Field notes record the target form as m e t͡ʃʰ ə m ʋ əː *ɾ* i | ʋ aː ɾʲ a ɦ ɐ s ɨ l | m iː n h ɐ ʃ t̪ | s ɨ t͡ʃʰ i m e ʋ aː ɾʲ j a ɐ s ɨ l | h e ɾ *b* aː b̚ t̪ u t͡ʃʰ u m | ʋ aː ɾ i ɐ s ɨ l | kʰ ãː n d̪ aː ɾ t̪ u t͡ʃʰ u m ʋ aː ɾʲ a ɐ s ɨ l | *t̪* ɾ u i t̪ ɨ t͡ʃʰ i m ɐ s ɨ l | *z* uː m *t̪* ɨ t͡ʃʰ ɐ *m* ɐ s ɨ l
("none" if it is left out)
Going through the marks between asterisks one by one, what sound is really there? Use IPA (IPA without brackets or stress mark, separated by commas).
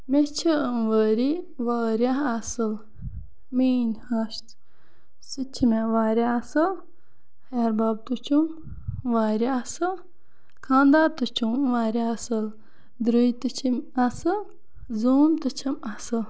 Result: ɾ, b, d̪, z, t̪, m